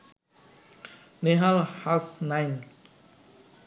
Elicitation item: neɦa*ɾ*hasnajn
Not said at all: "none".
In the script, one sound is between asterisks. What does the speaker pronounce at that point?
l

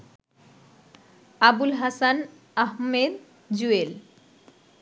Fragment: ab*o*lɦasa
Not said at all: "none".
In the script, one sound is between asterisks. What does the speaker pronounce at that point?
u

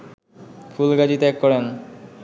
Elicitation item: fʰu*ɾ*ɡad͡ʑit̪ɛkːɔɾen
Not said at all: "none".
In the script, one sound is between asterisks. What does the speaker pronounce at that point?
l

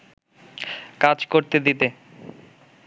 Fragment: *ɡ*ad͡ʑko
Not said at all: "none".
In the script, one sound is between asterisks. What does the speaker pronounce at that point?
k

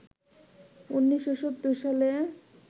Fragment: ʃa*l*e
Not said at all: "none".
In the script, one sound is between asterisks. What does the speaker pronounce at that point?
l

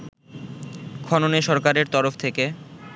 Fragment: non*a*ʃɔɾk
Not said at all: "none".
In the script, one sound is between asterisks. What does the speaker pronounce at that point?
e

